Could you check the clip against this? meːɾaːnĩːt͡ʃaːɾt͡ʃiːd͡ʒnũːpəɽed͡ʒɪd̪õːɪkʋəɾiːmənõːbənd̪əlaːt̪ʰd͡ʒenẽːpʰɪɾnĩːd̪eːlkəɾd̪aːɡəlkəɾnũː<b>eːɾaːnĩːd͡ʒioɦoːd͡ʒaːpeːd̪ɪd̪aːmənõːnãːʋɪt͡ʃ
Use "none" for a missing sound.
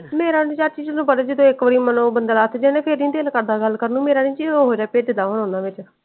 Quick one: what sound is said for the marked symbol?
m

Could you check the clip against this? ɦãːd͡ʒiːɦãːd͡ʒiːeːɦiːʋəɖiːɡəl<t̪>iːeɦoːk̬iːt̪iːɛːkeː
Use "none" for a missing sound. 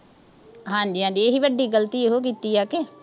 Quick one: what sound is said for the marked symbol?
t̪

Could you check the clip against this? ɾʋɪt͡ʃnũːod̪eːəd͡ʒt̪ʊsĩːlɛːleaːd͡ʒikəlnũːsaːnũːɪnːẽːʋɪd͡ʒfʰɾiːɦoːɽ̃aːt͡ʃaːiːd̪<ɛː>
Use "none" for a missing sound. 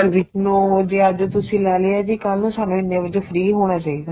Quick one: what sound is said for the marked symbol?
aː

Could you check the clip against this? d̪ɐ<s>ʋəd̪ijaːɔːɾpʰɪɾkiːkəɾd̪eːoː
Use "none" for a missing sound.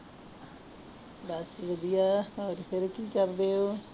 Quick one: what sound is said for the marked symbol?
s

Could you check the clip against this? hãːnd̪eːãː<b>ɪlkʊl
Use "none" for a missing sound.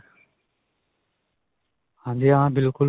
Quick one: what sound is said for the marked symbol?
b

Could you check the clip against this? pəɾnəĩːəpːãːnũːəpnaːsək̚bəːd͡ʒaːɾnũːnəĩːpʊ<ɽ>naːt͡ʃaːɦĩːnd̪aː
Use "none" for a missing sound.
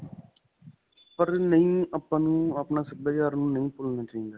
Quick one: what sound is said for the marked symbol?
l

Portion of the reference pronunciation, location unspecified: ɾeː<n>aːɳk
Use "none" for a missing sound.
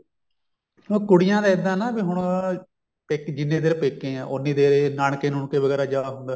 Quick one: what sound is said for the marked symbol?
n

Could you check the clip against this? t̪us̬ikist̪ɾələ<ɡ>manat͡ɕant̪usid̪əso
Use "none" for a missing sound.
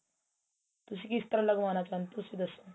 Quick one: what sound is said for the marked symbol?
ɡ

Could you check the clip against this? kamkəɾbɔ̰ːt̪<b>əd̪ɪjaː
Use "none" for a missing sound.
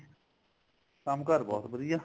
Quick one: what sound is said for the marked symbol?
b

